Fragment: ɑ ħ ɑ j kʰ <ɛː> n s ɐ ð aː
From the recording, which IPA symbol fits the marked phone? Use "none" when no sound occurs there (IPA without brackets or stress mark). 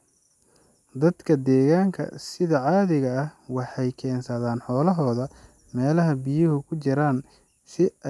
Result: ɛː